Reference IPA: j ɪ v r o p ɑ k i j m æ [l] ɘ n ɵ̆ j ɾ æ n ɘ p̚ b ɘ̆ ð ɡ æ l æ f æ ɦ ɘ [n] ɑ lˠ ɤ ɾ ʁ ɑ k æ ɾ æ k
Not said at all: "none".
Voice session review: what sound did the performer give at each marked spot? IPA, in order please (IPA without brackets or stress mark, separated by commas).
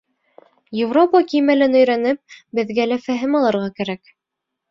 l, m